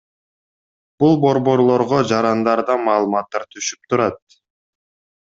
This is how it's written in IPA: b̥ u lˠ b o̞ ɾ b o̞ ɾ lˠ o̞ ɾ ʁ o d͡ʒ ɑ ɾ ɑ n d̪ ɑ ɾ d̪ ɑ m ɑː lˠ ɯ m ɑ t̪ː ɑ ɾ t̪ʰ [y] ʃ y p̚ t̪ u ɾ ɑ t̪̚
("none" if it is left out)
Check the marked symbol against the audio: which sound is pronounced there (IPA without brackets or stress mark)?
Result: y